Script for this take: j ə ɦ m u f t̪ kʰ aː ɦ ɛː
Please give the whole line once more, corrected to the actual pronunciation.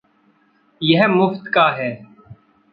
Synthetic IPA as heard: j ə ɦ m ʊ f t̪ k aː ɦ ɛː